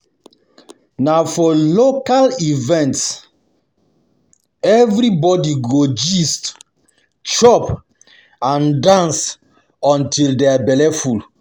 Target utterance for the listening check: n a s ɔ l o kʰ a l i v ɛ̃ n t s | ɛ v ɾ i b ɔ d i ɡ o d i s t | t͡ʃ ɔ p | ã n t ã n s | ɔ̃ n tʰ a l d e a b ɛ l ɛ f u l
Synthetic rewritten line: n a f ɔ l o k a l i v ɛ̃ n t s | ɛ v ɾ i b ɔ d i ɡ o d͡ʒ i s t | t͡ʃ ɔ p | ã n d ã n s | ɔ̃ n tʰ i l d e a b ɛ l ɛ f u l